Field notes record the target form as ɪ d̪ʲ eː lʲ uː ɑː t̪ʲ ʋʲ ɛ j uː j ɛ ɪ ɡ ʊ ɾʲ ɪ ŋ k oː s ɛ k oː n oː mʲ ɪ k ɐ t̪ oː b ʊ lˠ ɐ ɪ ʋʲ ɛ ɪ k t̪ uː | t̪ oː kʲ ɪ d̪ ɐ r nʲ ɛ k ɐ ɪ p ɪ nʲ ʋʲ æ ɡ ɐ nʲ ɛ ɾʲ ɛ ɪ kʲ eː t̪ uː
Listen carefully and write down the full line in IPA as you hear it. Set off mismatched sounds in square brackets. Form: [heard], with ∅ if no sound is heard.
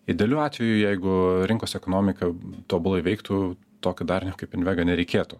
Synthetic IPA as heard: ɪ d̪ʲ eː lʲ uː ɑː t̪ʲ ʋʲ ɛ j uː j ɛ ɪ ɡ ʊ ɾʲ ɪ ŋ k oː s ɛ k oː n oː mʲ ɪ k ɐ t̪ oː b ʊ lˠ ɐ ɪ ʋʲ ɛ ɪ k t̪ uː | t̪ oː kʲ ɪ d̪ ɐ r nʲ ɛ k ɐ ɪ p ɪ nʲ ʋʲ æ ɡ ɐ nʲ ɛ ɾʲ ɛ ɪ kʲ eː t̪ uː